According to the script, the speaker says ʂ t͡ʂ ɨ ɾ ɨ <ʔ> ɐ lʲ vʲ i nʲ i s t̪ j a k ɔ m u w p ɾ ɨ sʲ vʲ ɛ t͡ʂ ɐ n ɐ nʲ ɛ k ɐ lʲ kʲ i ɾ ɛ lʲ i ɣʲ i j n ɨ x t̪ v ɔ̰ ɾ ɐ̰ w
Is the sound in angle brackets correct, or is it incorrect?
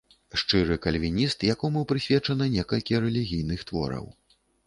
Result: incorrect